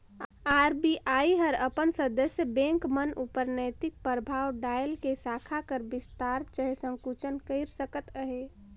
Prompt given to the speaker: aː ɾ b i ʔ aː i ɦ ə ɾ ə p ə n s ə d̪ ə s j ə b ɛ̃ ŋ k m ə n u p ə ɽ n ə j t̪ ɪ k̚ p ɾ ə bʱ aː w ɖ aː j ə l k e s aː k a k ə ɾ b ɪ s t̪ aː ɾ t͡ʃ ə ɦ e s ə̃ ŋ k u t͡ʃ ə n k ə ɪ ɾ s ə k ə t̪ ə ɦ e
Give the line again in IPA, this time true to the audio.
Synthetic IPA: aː ɾ b i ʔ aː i ɦ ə ɾ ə p ə n s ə d̪ ə s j ə b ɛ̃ ŋ k m ə n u p ə ɾ n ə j t̪ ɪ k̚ p ɾ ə bʱ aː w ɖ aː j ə l k e s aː kʰ a k ə ɾ b ɪ s t̪ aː ɾ t͡ʃ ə ɦ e s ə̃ ŋ k u t͡ʃ ə n k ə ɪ ɾ s ə k ə t̪ ə ɦ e